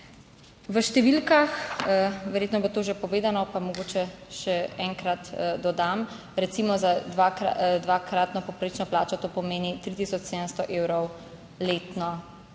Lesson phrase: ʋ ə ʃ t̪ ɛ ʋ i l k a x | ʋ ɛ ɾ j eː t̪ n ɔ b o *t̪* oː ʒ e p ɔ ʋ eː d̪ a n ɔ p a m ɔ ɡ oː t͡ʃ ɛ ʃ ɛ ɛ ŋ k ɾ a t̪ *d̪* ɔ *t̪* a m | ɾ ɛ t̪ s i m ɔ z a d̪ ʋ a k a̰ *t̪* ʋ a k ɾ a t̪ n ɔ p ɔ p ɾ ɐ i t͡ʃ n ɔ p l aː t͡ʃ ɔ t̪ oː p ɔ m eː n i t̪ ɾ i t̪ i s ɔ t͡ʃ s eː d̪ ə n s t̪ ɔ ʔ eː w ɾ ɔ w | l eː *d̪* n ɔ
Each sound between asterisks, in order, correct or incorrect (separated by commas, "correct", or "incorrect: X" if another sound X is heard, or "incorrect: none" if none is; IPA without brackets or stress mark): correct, correct, incorrect: d̪, incorrect: d̪, incorrect: t̪